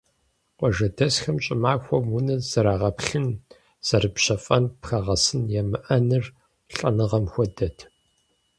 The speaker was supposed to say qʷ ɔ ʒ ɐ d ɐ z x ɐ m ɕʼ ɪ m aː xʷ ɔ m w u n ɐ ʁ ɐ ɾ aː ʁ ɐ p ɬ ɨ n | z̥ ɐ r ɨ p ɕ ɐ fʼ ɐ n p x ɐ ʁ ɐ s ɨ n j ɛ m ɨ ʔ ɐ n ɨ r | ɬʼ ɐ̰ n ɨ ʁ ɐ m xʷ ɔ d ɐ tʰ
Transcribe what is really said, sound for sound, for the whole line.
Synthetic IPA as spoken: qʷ ɔ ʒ ɐ d ɐ s x ɐ m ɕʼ ɪ m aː xʷ ɔ m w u n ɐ z ɐ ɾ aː ʁ ɐ p ɬ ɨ n | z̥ ɐ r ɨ p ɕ ɐ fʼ ɐ n p x ɐ ʁ ɐ s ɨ n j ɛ m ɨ ʔ ɐ n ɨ r | ɬʼ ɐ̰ n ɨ ʁ ɐ m xʷ ɔ d ɐ tʰ